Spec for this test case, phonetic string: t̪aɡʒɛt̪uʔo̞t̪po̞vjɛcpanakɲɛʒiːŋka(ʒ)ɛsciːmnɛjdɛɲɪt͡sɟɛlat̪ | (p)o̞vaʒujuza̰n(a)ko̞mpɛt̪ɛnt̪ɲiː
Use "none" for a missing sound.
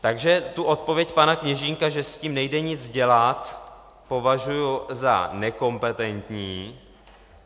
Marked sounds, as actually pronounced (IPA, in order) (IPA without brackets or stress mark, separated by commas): ʒ, p, ɛ